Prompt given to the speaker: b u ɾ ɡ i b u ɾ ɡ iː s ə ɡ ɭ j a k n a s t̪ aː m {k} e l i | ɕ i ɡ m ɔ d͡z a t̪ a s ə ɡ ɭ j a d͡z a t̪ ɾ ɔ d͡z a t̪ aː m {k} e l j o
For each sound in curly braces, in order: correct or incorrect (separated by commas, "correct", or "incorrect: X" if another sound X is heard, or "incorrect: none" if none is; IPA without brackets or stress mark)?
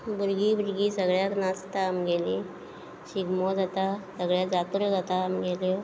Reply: incorrect: ɡ, incorrect: ɡ